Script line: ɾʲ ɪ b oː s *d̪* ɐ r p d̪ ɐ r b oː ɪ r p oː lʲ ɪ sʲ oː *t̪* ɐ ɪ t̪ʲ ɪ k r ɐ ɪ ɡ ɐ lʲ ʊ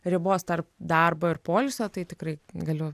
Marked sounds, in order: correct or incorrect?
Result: incorrect, correct

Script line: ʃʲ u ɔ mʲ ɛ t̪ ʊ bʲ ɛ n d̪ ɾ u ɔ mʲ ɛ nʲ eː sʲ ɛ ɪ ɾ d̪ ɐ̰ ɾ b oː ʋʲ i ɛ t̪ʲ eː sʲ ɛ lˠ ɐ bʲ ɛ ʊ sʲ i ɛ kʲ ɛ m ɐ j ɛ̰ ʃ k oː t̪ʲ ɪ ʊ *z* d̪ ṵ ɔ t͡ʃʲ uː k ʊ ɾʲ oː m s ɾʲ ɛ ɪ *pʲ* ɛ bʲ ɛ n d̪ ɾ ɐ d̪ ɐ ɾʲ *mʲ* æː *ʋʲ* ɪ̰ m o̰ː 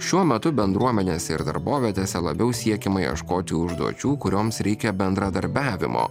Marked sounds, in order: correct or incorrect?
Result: incorrect, incorrect, incorrect, correct

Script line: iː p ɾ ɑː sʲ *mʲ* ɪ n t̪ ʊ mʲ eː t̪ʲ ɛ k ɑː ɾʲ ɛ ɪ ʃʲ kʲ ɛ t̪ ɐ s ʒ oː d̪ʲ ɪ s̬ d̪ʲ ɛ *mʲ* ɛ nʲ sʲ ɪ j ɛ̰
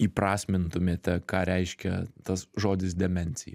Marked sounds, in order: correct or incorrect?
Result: correct, correct

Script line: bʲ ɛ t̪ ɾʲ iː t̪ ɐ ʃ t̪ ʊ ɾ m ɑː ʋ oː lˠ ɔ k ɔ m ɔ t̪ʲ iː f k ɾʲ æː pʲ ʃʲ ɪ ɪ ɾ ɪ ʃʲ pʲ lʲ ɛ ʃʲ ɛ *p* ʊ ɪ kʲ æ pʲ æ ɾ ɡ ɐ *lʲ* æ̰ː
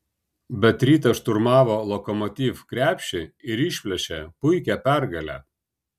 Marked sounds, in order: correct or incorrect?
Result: correct, correct

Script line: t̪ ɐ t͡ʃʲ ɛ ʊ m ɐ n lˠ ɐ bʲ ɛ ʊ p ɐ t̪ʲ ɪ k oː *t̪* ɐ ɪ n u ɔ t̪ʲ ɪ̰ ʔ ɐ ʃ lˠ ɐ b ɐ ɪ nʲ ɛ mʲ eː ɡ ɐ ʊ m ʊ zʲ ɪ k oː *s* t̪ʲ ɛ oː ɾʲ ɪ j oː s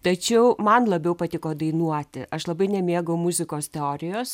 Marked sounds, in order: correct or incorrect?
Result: incorrect, correct

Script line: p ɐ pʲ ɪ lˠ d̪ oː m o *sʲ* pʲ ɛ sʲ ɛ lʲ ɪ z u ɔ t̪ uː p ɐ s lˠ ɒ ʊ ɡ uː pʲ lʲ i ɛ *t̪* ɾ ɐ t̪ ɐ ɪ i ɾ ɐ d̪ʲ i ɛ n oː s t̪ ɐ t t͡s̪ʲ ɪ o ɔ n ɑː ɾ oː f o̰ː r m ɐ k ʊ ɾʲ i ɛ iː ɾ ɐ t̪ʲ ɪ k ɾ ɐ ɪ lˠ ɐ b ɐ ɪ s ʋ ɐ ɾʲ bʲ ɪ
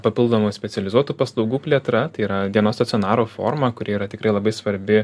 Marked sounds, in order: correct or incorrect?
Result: correct, correct

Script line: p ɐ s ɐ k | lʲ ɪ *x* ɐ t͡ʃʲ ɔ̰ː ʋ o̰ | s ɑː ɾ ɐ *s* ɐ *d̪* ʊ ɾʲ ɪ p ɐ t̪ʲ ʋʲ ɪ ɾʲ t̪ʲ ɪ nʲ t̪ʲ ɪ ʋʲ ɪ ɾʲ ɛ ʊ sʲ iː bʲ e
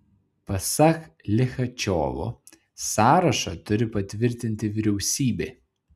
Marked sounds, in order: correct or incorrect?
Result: correct, incorrect, incorrect

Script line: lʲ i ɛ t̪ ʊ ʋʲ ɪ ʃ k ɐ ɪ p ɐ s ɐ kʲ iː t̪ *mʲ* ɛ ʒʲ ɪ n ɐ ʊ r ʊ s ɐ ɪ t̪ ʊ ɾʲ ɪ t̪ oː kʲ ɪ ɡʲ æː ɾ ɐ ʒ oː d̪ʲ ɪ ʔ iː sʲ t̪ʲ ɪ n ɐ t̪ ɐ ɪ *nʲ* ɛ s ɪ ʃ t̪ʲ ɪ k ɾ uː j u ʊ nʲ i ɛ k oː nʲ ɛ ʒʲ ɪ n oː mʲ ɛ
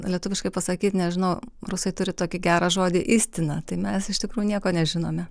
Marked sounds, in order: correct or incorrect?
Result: incorrect, incorrect

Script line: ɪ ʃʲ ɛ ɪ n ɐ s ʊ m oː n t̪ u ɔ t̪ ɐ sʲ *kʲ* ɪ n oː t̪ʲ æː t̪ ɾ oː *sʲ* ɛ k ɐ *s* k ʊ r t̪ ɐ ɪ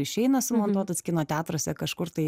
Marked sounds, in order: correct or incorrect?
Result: correct, correct, incorrect

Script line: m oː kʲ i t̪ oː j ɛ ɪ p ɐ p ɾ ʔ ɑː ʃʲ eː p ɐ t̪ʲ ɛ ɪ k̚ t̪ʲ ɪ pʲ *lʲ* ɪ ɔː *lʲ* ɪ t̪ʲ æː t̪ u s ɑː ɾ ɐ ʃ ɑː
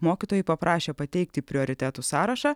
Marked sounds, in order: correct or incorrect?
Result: incorrect, incorrect

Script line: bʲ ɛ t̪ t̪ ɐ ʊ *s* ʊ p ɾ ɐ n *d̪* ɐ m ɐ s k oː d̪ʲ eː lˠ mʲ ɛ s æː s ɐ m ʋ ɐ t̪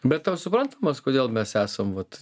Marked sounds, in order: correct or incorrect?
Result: correct, incorrect

